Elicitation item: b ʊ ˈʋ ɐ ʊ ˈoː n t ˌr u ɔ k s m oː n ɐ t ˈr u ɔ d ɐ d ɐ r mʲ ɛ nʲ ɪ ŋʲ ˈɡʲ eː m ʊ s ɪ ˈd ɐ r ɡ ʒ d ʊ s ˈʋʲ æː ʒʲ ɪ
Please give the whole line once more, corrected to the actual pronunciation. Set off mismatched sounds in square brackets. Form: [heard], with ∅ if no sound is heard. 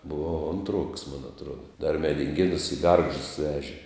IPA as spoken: b ʊ ˈʋ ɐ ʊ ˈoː n t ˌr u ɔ k s m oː n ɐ t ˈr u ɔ d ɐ d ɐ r mʲ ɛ [dʲ] ɪ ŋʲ ˈɡʲ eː [n] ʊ s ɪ [ˈɡ] ɐ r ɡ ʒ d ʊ s ˈʋʲ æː ʒʲ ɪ